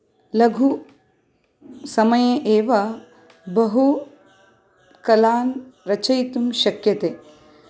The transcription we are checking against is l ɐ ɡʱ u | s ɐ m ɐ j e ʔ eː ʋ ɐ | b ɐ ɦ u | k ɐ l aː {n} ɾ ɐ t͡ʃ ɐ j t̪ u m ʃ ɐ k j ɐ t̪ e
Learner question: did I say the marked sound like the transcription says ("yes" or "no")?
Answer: yes